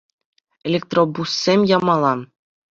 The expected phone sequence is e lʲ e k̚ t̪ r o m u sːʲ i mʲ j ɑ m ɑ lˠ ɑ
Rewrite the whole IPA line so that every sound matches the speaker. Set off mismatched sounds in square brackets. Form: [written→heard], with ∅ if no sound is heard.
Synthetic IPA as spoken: e lʲ e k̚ t̪ r o [m→b] u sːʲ [i→e] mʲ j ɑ m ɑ lˠ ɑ